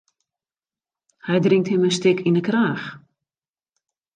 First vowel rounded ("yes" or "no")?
no